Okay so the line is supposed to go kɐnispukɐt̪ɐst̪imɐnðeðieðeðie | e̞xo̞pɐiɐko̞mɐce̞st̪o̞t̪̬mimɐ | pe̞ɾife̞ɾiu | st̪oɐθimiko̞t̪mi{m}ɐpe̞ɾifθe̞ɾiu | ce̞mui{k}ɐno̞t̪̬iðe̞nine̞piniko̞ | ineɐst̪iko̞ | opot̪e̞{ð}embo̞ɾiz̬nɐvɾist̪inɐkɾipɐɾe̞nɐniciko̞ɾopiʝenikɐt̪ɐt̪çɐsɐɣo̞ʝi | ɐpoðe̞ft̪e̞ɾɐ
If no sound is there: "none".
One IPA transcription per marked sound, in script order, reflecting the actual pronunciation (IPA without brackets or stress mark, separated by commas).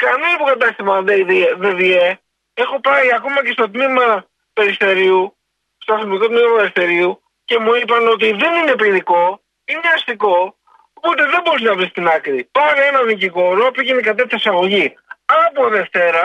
m, p, ð